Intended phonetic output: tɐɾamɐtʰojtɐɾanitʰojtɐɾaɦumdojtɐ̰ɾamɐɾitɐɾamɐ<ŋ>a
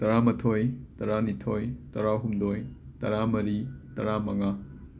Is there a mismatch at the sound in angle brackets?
no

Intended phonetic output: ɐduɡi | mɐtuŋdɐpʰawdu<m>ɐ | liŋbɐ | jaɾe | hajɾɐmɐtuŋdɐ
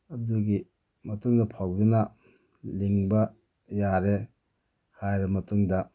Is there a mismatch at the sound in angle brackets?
yes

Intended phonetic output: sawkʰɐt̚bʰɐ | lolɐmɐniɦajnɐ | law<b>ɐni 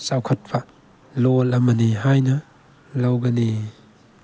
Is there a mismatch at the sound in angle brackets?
yes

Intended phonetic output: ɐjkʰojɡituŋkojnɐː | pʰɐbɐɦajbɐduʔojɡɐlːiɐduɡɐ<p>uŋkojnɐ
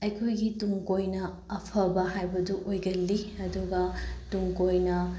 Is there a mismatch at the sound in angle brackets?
yes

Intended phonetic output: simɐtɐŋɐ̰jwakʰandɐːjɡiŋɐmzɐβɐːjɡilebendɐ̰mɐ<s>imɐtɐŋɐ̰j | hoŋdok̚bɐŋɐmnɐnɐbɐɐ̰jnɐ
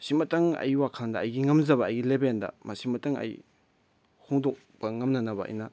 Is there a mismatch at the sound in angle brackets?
no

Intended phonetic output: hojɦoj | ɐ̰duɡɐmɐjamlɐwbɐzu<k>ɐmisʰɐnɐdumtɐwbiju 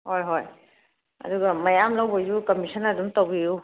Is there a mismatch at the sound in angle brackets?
no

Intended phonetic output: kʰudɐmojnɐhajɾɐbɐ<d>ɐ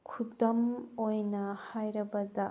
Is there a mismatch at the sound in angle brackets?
no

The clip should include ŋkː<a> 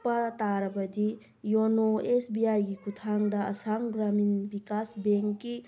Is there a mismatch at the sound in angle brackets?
yes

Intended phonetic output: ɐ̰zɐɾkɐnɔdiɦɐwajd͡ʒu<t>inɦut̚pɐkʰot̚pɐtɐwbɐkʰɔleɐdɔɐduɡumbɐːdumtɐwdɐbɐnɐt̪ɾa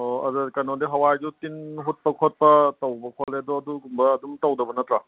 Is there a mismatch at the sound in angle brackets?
no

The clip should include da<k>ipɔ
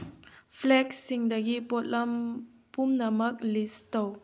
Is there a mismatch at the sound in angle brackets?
yes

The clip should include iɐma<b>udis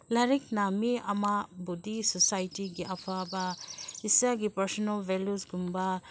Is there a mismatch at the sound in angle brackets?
no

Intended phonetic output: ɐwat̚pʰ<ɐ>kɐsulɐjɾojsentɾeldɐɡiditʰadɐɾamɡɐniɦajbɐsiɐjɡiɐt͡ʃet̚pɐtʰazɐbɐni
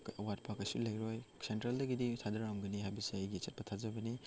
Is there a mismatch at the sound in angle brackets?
yes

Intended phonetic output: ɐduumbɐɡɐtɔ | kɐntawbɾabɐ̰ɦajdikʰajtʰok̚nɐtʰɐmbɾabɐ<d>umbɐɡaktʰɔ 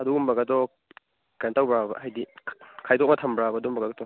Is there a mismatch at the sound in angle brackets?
no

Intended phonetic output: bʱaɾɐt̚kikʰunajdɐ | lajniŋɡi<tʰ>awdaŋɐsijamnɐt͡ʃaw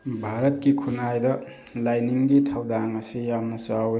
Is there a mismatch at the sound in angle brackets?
no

